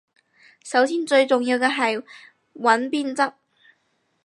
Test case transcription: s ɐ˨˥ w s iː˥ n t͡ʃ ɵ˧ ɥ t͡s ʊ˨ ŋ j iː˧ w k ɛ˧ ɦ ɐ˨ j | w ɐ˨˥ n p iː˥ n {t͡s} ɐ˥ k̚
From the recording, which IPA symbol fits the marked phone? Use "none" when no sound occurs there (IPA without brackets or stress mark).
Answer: t͡s